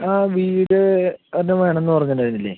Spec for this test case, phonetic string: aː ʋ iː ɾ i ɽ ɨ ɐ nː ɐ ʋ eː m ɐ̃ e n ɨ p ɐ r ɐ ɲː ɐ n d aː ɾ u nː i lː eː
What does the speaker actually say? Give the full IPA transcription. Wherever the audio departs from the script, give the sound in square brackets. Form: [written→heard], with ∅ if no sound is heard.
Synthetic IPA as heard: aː ʋ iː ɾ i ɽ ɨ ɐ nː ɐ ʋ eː [m→ɳ] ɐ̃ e [n→nː] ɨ p ɐ r ɐ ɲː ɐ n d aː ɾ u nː i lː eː